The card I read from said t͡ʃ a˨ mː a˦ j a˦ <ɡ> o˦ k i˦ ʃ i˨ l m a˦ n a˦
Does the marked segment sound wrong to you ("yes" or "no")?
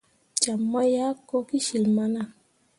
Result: yes